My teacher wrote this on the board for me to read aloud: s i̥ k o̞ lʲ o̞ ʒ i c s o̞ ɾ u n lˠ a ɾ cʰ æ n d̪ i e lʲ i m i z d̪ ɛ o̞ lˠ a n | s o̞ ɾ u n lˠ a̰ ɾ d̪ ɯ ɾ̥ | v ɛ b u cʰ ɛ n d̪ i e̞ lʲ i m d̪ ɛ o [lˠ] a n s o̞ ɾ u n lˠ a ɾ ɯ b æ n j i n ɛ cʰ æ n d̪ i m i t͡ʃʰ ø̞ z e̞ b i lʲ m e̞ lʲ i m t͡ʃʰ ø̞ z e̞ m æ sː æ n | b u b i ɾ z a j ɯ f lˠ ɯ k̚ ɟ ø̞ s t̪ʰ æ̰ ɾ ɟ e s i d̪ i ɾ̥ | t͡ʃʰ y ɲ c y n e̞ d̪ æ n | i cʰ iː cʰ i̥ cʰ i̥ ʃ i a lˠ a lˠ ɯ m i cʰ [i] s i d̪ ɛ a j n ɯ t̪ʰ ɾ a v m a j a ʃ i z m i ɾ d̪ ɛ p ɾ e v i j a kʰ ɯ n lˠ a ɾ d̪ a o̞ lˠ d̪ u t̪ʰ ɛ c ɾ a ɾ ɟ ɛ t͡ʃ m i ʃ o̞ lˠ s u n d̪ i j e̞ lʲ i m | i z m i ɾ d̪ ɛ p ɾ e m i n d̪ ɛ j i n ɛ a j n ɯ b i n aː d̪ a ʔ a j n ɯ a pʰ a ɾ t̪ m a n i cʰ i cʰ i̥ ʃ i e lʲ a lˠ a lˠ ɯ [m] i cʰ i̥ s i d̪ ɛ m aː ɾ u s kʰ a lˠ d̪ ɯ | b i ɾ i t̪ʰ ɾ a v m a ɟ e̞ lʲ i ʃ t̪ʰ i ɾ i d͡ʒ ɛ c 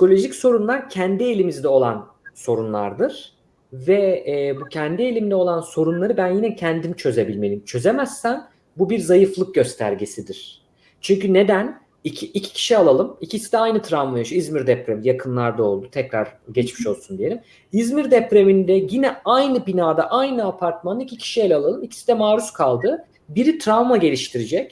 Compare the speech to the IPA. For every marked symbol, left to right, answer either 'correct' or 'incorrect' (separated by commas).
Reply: correct, correct, correct